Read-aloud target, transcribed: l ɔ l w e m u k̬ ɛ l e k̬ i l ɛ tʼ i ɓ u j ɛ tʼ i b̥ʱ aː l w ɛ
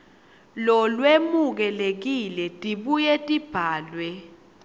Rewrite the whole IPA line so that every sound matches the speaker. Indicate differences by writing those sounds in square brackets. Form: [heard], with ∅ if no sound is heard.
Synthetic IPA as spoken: l ɔ l w e m u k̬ ɛ l e k̬ i l ɛ tʼ i ɓ u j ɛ tʼ i b̥ʱ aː l w ɛ